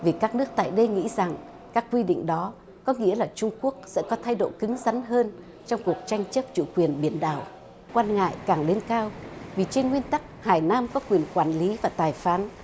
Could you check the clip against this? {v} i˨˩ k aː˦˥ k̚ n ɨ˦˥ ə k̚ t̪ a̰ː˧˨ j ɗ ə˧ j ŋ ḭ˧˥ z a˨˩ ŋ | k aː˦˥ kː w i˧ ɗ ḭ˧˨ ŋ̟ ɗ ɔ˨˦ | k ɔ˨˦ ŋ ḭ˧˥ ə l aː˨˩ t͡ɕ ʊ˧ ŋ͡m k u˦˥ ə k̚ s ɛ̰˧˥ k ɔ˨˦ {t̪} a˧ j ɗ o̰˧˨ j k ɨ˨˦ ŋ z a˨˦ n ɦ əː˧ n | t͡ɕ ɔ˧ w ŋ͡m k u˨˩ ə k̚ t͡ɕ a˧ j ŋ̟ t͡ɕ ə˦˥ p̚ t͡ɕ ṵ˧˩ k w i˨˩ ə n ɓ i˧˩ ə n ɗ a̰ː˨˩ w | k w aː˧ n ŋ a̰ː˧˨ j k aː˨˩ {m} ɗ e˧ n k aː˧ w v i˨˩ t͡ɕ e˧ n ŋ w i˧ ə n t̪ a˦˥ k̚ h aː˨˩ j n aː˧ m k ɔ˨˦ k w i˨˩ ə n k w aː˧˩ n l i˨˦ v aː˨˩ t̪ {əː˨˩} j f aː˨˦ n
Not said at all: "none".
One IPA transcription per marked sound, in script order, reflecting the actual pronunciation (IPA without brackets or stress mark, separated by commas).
v, t̪ʰ, ŋ, aː˨˩